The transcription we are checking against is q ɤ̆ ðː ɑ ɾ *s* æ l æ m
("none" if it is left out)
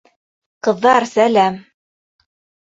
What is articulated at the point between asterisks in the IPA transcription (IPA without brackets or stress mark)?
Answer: s